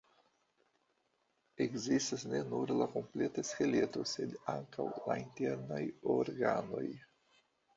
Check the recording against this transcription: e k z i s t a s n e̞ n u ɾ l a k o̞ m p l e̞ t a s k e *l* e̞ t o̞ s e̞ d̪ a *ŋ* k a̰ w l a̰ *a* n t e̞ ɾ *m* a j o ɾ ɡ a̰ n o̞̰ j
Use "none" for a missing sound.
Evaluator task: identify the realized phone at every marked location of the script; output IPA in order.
l, ŋ, i, n

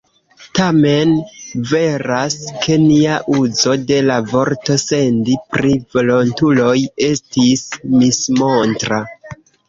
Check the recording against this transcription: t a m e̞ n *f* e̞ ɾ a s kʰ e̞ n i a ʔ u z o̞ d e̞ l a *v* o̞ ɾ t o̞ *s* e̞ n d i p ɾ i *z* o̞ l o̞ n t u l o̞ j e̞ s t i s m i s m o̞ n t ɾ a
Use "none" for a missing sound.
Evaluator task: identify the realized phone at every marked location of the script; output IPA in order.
v, v, s, v

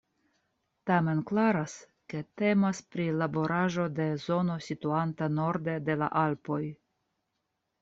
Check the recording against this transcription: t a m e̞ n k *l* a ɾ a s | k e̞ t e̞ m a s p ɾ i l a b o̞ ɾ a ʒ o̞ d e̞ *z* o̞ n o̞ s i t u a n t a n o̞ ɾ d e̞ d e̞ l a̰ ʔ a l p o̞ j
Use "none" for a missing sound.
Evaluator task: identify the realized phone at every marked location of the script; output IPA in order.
l, z

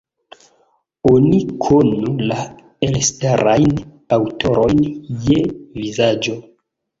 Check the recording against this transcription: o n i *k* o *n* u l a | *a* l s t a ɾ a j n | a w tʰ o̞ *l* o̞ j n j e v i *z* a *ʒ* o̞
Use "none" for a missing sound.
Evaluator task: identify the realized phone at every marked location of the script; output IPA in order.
kʰ, n, e, ɾ, z, d͡ʒ

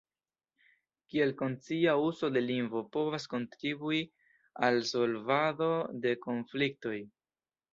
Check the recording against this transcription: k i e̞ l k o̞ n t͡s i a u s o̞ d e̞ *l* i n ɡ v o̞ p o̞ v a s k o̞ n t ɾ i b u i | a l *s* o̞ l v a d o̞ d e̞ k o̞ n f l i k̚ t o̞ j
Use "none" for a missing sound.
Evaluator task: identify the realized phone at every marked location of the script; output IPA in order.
l, s

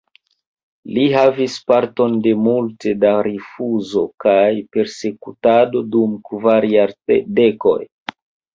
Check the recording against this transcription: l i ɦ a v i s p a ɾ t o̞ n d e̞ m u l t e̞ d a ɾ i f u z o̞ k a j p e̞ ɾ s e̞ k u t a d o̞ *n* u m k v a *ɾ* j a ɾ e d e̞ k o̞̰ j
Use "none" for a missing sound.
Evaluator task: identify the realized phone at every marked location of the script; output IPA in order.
d, ɾ

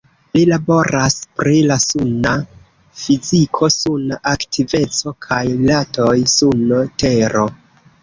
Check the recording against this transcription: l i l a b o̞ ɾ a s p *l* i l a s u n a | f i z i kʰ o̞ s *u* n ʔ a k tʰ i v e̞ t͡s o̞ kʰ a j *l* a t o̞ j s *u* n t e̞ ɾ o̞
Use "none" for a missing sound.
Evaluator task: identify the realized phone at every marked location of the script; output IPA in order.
ɾ, u, l, u

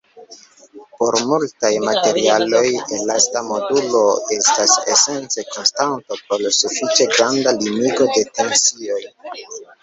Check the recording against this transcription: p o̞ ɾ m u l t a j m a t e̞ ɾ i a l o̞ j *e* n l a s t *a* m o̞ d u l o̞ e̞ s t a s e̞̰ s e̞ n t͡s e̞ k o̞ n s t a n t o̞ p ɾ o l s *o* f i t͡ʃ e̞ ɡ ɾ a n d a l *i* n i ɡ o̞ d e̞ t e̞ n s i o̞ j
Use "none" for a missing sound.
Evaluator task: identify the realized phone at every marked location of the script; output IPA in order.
e, a, u, i

